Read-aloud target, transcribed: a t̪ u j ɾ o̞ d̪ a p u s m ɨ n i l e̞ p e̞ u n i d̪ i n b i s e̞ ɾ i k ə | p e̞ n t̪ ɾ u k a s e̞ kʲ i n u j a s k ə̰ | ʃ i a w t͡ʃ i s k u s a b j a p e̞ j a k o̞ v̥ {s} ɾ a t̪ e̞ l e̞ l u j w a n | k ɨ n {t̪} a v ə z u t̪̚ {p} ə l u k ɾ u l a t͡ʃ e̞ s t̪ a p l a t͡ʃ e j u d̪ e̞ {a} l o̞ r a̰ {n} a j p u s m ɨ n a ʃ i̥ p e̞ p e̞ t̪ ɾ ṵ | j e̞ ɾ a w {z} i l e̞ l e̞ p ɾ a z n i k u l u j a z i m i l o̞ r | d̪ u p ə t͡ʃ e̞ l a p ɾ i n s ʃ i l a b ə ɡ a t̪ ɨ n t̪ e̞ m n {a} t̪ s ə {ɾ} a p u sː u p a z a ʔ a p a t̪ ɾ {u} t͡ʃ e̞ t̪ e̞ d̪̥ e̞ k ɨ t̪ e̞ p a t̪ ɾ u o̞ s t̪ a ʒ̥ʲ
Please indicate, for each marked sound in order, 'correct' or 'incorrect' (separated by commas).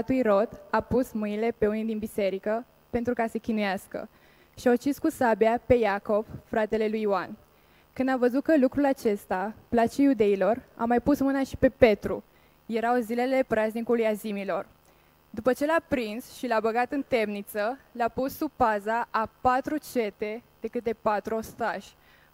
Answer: incorrect, incorrect, incorrect, incorrect, incorrect, correct, incorrect, incorrect, correct